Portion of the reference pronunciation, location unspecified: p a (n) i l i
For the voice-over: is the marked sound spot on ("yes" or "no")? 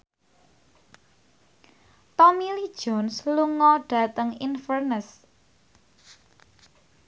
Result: no